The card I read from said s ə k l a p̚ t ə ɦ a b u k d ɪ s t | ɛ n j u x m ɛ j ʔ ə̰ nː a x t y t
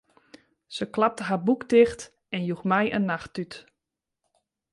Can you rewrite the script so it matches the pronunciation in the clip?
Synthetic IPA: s ə k l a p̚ t ə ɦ a b u k d ɪ x t | ɛ n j u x m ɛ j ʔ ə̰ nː a x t y t